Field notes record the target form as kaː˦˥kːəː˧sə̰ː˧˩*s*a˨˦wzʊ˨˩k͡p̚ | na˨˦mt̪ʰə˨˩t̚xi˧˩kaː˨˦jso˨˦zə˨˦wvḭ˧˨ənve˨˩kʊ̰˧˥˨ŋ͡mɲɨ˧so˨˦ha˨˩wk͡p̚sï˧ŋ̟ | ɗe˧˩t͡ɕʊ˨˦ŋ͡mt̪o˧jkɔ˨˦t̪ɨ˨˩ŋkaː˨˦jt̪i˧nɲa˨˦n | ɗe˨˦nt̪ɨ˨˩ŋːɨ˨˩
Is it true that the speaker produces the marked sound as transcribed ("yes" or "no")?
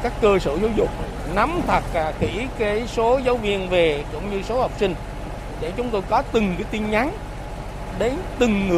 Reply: no